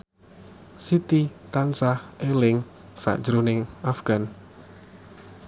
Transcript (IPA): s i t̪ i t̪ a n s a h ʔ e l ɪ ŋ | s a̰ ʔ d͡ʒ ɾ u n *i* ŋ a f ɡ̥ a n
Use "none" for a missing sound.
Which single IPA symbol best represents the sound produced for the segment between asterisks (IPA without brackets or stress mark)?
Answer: ɪ